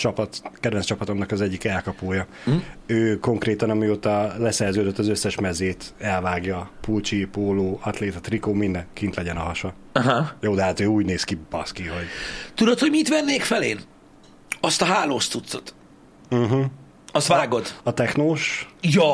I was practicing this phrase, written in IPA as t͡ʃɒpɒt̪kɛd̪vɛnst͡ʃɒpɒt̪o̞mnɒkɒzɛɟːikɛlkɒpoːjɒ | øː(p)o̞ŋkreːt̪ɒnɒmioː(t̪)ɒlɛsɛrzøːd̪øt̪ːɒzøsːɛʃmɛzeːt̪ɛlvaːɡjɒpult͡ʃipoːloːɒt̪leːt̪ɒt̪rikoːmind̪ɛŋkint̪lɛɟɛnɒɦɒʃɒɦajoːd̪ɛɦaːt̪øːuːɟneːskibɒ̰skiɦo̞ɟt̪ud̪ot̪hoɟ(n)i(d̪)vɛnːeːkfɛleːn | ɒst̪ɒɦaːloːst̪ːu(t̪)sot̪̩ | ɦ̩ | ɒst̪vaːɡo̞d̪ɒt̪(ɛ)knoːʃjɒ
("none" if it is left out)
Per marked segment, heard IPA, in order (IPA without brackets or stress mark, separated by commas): k, t̪, m, t̪, t̪, ɛ